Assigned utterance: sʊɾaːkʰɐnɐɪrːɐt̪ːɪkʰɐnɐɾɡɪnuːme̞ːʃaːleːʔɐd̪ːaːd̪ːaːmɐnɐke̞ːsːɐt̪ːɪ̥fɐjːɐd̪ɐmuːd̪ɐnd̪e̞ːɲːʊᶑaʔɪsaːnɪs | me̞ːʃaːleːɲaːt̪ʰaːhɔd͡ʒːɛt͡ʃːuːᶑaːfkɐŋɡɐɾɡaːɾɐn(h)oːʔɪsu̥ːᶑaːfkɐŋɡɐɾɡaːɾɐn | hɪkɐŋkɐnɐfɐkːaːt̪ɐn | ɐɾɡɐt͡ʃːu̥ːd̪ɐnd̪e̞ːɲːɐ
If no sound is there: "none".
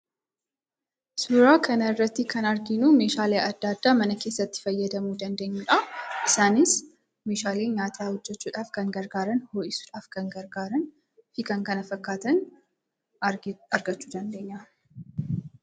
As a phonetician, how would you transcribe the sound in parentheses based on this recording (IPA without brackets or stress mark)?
h